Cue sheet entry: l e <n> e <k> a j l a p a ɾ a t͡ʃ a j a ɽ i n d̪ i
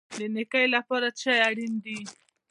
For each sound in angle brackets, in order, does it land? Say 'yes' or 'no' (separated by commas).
yes, yes